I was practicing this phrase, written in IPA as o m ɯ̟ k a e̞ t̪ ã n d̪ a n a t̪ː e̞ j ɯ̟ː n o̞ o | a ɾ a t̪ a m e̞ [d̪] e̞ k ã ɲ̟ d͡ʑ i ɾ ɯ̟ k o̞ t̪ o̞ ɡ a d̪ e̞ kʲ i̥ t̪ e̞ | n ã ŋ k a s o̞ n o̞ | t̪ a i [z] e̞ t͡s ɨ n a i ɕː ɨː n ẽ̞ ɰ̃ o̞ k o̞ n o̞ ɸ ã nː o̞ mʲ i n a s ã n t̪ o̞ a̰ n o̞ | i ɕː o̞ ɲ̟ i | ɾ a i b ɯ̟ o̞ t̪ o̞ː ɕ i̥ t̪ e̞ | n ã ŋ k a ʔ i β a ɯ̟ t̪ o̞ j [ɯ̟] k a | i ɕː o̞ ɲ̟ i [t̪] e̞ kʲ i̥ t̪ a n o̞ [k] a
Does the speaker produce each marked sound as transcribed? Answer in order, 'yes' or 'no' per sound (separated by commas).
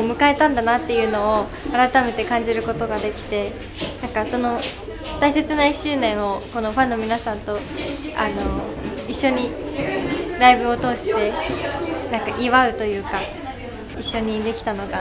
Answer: no, no, no, no, no